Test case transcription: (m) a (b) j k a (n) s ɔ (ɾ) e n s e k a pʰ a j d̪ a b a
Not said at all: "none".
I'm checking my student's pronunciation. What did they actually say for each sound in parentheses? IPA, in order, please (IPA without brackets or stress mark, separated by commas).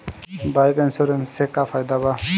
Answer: b, none, n, ɾ